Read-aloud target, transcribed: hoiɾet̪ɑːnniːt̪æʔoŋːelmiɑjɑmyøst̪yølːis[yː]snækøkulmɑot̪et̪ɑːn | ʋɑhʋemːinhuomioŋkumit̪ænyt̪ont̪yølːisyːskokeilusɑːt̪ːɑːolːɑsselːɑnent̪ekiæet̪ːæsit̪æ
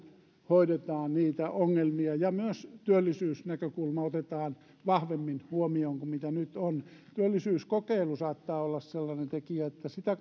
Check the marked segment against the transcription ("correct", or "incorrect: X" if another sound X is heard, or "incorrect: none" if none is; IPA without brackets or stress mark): correct